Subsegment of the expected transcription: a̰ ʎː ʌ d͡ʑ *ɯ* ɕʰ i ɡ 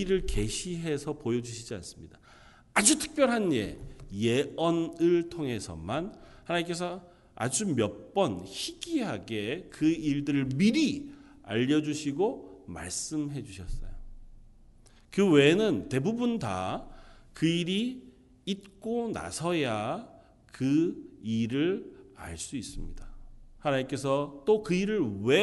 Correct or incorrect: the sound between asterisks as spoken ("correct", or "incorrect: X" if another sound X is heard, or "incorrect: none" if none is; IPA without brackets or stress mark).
incorrect: u